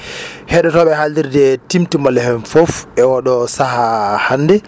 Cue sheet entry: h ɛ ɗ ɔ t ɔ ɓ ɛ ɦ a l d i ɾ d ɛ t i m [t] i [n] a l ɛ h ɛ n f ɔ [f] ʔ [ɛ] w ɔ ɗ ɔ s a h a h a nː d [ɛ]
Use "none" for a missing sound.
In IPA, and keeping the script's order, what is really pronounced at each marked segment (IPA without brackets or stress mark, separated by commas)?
t, m, f, ɛ, ɛ